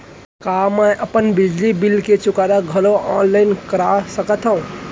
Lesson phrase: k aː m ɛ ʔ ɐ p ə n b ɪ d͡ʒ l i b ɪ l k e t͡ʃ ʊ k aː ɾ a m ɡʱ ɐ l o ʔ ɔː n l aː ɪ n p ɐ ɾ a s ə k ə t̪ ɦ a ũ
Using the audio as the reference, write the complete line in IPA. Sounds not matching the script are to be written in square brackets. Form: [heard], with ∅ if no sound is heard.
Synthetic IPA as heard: k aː m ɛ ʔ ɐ p ə n b ɪ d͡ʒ l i b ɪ l k e t͡ʃ ʊ k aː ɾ a [∅] ɡʱ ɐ l o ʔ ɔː n l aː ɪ n [k] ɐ ɾ a s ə k ə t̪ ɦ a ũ